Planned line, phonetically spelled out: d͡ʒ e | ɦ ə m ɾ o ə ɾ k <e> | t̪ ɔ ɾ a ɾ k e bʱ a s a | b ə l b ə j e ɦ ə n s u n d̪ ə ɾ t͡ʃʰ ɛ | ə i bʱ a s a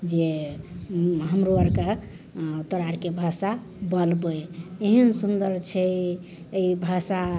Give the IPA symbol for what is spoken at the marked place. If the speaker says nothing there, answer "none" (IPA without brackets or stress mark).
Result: a